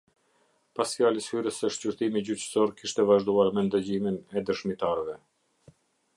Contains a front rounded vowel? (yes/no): yes